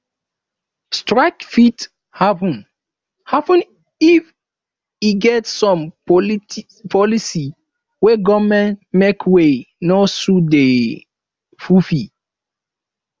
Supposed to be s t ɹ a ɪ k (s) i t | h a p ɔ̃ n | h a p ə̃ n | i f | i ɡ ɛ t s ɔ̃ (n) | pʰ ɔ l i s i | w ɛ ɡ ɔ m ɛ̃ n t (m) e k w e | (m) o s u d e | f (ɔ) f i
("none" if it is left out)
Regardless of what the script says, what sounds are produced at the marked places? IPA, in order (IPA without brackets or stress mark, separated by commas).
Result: f, m, m, n, u